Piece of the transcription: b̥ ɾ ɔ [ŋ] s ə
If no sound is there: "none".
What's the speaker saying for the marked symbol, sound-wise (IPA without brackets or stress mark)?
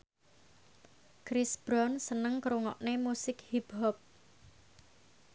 n